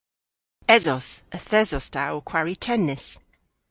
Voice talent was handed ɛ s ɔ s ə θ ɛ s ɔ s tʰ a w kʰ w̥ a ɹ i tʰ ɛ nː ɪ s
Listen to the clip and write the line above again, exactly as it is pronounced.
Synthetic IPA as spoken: ɛ z ɔ s ə θ ɛ z ɔ s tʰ a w kʰ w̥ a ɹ i tʰ ɛ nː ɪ s